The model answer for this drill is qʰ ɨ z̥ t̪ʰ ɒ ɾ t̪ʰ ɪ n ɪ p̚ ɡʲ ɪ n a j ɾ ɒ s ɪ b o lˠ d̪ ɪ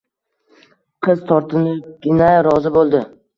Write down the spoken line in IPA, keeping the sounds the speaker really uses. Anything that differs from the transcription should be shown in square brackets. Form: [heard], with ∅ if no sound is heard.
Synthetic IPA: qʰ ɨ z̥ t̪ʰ ɒ ɾ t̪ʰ ɪ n ɪ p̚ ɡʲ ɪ n a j ɾ ɒ [z] ɪ b o lˠ d̪ ɪ